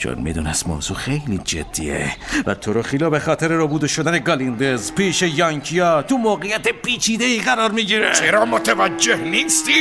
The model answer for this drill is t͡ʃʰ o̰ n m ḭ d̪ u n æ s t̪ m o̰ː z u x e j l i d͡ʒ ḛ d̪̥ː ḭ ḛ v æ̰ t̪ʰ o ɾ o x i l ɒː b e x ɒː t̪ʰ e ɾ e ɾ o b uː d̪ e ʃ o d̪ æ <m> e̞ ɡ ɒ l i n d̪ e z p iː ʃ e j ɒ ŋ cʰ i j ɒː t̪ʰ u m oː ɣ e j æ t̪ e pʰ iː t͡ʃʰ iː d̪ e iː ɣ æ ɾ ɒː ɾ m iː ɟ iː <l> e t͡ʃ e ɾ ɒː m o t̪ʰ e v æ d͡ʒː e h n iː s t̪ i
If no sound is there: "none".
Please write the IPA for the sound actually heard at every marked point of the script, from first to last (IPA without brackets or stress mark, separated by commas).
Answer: n, ɾ